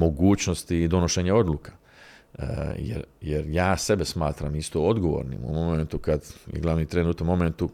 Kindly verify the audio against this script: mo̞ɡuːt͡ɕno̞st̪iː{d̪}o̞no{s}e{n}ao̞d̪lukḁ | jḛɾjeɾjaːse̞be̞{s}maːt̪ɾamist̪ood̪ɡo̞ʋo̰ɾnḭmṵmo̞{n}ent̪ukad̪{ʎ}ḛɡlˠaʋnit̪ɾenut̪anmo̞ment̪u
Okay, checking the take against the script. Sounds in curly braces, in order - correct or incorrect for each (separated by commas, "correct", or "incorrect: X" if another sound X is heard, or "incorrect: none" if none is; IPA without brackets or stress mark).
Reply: correct, incorrect: ʃ, incorrect: ɲ, correct, incorrect: m, incorrect: j